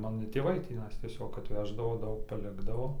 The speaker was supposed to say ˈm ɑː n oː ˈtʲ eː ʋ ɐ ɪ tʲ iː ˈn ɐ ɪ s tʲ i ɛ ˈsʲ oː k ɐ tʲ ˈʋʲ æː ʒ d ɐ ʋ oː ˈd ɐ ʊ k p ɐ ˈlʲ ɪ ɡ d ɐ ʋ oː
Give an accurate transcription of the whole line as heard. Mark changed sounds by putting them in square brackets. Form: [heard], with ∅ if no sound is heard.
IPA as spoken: ˈm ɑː n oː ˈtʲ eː ʋ ɐ ɪ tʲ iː ˈn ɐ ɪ s tʲ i ɛ ˈsʲ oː k ɐ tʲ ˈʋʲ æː ʒ d ɐ ʋ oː ˈd ɐ ʊ k p ɐ ˈlʲ ɪ ɡ d ɐ ʋ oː